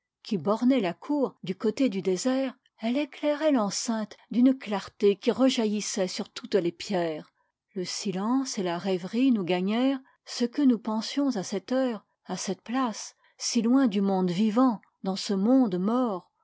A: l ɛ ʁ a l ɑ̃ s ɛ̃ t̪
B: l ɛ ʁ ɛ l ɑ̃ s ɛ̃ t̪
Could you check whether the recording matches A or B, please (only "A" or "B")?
B